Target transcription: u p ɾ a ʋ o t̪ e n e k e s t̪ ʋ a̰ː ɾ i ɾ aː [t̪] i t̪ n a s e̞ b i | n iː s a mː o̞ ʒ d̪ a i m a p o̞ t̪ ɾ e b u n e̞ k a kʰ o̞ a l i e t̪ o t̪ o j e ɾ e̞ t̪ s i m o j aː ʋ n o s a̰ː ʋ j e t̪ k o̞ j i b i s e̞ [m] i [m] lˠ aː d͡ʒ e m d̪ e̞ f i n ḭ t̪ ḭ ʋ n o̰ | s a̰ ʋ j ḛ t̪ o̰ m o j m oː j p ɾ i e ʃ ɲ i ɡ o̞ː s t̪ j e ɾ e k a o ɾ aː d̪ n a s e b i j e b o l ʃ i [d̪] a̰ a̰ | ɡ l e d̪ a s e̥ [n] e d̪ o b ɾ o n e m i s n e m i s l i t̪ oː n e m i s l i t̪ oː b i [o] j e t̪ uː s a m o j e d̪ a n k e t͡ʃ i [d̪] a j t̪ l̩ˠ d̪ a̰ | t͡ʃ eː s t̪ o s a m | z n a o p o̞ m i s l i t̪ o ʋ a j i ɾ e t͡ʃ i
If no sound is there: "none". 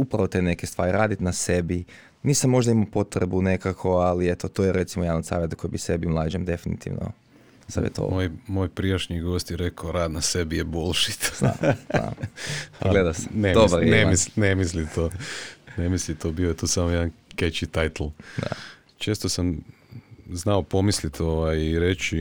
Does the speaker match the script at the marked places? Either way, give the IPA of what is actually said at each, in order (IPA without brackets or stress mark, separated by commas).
d̪, b, m, t̪, n, o, t̪